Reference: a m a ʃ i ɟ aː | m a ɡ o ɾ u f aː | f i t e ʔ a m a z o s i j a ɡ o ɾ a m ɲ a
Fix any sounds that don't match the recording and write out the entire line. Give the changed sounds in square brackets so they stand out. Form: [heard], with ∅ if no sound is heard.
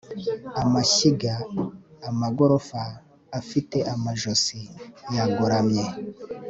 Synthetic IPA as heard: a m a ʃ i [ɡ] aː | m a ɡ o ɾ [o] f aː | f i t e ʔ a m a [ʒ] o s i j a ɡ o ɾ a m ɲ [e]